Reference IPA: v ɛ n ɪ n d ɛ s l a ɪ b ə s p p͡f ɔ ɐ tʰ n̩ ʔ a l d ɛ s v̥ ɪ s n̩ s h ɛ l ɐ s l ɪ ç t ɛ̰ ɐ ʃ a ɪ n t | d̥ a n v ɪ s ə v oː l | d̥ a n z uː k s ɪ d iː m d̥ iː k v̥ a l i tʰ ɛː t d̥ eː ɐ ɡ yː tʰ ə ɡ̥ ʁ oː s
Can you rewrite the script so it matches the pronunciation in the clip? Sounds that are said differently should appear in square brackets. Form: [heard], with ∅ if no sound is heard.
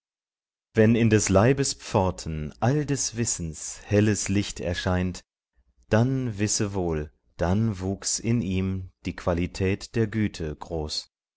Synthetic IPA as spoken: v ɛ n ɪ n d ɛ s l a ɪ b ə s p p͡f ɔ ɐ tʰ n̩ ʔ a l d ɛ s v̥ ɪ s n̩ s h ɛ l [ə] s l ɪ ç t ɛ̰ ɐ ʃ a ɪ n t | d̥ a n v ɪ s ə v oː l | d̥ a n [v] uː k s ɪ [n] iː m d̥ iː k v̥ a l i tʰ ɛː t d̥ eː ɐ ɡ yː tʰ ə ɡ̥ ʁ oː s